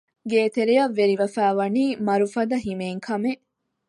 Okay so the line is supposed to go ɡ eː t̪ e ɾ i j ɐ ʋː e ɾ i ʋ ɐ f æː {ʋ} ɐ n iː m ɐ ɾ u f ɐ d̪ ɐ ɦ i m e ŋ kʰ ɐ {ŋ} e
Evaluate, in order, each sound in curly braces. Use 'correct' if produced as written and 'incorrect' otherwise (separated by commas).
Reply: correct, incorrect